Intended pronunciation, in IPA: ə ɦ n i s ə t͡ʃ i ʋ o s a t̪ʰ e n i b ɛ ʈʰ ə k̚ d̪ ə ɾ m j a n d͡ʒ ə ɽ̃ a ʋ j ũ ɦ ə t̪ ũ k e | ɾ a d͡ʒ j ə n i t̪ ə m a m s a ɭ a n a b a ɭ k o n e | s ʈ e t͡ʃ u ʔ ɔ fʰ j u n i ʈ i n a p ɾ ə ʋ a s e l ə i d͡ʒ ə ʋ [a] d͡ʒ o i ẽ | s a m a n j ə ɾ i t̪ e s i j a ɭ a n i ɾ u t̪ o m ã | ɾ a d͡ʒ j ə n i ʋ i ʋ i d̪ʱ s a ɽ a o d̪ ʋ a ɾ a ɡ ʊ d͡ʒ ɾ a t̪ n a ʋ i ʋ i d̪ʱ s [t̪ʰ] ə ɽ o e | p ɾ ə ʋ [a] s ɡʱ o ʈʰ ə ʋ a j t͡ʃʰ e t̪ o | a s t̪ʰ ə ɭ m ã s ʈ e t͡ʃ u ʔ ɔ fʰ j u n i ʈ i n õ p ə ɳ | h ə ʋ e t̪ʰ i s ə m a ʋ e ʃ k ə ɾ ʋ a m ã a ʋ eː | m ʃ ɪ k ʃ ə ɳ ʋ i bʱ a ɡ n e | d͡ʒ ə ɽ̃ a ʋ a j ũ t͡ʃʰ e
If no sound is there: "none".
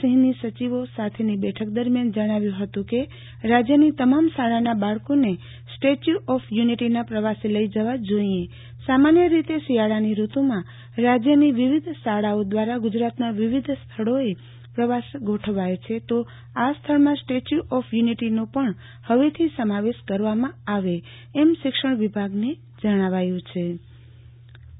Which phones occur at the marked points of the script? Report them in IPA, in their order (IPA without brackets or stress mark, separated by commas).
a, t̪ʰ, a